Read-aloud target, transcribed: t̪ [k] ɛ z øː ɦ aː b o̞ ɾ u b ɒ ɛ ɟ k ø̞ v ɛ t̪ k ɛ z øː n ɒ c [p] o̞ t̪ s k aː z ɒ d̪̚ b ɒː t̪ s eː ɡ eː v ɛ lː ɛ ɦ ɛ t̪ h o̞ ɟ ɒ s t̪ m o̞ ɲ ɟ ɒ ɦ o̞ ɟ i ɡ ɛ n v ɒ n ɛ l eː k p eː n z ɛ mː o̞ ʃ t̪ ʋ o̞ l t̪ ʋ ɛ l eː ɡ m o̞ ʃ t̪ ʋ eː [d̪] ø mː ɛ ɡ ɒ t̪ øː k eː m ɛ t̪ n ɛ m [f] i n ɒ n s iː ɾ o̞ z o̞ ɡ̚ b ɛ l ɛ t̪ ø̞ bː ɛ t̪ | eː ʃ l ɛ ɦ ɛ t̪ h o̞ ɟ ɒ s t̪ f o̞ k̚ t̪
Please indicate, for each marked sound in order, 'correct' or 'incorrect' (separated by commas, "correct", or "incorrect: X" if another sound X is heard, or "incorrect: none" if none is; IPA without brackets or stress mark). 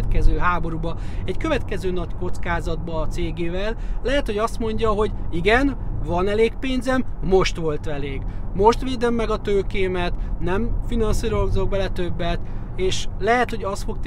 correct, incorrect: k, correct, correct